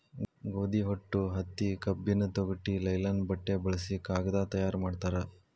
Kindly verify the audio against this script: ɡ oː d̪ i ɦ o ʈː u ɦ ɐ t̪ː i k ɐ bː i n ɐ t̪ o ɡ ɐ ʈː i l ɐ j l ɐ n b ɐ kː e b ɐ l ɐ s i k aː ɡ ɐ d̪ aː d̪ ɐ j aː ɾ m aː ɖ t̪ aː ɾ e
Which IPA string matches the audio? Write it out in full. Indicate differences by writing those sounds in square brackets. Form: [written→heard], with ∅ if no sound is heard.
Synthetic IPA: ɡ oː d̪ i ɦ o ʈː u ɦ ɐ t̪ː i k ɐ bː i n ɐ t̪ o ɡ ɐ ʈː i l ɐ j l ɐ n b ɐ [kː→ʈː] e b ɐ [l→ɭ] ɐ s i k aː ɡ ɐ d̪ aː [d̪→t̪] ɐ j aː ɾ m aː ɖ t̪ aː ɾ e